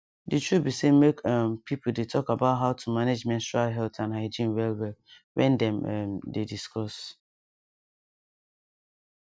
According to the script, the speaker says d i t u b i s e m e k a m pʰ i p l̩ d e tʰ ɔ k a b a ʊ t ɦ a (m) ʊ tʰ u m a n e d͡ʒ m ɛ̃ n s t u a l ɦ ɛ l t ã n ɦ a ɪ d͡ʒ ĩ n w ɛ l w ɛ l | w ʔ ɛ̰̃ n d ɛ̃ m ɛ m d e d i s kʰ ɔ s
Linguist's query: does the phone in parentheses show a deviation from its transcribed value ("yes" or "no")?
yes